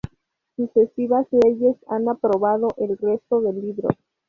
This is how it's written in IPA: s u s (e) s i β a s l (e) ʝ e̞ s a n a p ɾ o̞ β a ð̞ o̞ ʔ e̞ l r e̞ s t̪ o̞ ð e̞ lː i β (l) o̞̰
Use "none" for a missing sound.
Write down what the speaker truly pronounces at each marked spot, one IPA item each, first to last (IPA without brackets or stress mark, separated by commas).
e, e, ɾ